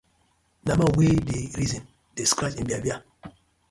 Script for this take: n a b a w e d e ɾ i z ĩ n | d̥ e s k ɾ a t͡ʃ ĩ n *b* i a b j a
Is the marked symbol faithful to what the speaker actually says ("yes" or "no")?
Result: yes